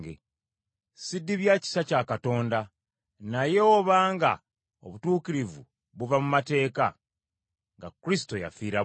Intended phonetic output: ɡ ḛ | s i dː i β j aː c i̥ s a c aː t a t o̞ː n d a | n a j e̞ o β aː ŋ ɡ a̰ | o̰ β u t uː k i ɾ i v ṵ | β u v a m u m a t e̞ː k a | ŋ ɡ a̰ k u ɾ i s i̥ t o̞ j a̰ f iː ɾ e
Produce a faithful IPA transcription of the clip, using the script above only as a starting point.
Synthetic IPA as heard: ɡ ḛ | s i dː i β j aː c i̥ s a c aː k a t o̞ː n d a | n a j e̞ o β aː ŋ ɡ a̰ | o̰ β u t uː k i ɾ i v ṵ | β u v a m u m a t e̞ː k a | ŋ ɡ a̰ k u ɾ i s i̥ t o̞ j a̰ f iː ɾ a